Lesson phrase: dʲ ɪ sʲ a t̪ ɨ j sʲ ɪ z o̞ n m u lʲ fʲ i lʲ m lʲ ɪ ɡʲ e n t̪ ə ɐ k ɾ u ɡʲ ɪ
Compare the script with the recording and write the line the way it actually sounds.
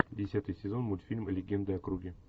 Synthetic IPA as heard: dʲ ɪ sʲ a t̪ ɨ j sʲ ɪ z o̞ n m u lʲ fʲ i lʲ m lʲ ɪ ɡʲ e n d̪ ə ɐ k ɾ u ɡʲ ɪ

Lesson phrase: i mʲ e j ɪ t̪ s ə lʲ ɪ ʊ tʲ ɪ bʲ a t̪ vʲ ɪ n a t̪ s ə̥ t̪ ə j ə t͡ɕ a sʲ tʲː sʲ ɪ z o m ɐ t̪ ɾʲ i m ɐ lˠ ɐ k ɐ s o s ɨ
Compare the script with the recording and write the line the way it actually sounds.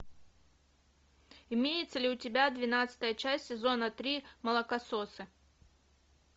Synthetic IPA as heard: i mʲ e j ɪ t̪ s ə lʲ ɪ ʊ tʲ ɪ bʲ a d̪ vʲ ɪ n a t̪ s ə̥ t̪ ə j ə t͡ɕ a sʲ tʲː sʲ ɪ z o n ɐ t̪ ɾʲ i m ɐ lˠ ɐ k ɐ s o s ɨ

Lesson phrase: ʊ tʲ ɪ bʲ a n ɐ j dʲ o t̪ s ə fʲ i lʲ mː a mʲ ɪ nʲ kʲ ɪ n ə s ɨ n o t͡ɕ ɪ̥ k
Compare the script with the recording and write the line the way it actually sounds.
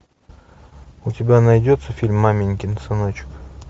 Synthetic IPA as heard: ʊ tʲ ɪ bʲ a n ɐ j dʲ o t̪ s ə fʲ i lʲ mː a mʲ ɪ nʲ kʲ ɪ n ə s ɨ n o t͡ɕ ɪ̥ k

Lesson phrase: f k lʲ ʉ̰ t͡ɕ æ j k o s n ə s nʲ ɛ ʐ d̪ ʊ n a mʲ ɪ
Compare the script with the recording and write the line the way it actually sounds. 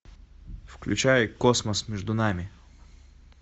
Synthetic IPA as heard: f k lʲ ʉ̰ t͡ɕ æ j k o s m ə s mʲ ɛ ʐ d̪ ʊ n a mʲ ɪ

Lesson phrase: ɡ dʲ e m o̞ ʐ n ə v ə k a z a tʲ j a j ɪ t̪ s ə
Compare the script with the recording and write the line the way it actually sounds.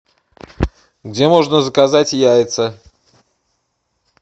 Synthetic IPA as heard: ɡ dʲ e m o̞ ʐ n ə z ə k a z a tʲ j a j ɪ t̪ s ə

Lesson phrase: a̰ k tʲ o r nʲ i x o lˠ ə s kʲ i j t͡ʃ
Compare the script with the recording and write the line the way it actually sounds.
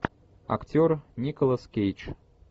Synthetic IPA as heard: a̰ k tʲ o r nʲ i k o lˠ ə s kʲ e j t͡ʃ

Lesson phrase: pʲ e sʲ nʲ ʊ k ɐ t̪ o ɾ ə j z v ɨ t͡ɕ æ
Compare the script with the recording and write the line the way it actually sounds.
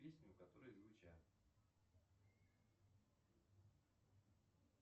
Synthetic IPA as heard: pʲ e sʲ nʲ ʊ k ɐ t̪ o ɾ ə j z v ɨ t͡ɕ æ

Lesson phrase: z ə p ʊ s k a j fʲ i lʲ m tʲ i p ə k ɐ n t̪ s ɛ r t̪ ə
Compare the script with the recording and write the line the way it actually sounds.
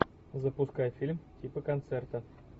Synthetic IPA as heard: z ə p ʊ s k a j fʲ i lʲ m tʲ i p ə k ɐ n t̪ s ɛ r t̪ ə

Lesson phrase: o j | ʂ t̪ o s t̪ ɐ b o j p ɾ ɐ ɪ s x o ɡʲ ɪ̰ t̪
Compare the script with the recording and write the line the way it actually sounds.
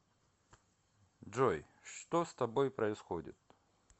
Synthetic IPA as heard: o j | ʂ t̪ o s t̪ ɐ b o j p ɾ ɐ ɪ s x o dʲ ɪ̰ t̪

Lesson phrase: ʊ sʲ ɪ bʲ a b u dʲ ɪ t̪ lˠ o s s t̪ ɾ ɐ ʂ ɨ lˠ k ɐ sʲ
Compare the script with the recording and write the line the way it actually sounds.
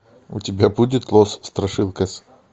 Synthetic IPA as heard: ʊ tʲ ɪ bʲ a b u dʲ ɪ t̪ lˠ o s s t̪ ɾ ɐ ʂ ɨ lˠ k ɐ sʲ

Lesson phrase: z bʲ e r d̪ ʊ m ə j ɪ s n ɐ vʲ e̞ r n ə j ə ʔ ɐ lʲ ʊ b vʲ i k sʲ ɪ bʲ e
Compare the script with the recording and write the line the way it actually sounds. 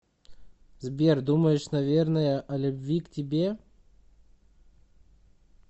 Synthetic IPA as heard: z bʲ e r d̪ u m ə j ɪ ʂ n ɐ vʲ e̞ r n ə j ə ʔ ɐ lʲ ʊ b vʲ i k tʲ ɪ bʲ e

